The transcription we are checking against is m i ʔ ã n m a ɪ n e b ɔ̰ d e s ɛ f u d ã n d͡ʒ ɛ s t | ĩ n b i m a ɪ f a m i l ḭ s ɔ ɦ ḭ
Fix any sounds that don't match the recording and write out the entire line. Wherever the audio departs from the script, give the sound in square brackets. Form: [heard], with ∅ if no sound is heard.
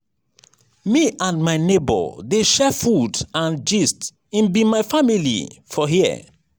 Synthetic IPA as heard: m i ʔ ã n m a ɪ n e b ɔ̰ d e [ʃ] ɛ f u d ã n d͡ʒ [i] s t | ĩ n b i m a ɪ f a m i l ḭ [f] ɔ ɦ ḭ